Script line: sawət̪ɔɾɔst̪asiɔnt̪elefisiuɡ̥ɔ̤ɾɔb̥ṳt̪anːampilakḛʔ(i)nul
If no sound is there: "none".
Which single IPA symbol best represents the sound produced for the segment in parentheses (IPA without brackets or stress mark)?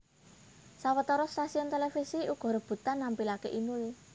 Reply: i